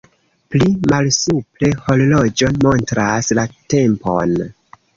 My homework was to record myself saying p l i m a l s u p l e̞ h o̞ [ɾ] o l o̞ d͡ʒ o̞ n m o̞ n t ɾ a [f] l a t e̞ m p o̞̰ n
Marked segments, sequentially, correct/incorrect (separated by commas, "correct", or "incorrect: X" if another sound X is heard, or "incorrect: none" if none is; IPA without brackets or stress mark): incorrect: l, incorrect: s